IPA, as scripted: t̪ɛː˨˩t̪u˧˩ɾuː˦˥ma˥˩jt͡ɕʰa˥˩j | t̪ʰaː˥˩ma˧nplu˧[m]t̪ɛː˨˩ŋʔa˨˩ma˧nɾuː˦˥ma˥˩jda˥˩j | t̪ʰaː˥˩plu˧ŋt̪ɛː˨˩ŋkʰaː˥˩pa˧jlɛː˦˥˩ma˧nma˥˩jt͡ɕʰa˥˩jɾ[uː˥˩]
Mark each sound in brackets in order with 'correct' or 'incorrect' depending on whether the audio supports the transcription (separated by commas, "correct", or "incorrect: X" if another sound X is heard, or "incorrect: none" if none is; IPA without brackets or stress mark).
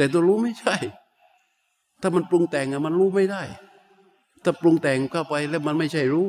incorrect: ŋ, incorrect: uː˦˥